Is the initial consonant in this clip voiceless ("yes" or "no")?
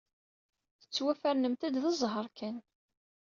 yes